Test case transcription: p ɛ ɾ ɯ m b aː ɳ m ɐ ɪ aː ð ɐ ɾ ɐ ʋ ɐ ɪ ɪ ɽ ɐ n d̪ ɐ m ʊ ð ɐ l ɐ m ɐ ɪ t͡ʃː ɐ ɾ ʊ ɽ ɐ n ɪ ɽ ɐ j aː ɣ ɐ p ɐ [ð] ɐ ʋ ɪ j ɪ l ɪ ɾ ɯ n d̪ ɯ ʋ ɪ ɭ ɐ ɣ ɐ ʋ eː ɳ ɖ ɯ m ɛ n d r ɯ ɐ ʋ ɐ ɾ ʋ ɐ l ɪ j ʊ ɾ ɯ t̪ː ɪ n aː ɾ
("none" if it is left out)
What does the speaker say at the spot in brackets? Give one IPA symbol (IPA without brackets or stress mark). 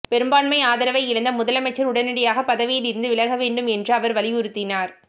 ð